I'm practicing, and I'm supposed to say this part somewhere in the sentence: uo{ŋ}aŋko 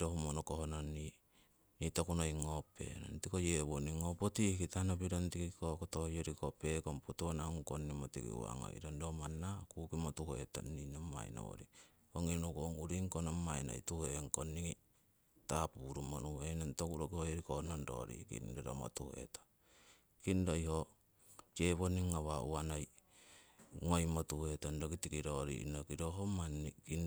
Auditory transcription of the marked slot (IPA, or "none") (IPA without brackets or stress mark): n